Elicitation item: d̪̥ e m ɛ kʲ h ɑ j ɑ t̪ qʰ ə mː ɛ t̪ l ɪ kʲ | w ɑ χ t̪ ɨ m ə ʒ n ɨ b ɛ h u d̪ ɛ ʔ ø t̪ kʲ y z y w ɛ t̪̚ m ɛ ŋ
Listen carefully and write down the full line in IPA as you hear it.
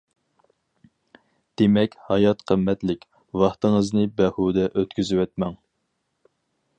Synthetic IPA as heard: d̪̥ e m ɛ kʲ h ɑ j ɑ t̪ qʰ ə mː ɛ t̪ l ɪ kʲ | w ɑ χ t̪ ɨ ŋ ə z n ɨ b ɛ h u d̪ ɛ ʔ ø t̪ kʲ y z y w ɛ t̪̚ m ɛ ŋ